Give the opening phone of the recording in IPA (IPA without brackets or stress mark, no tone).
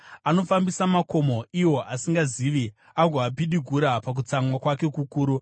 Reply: a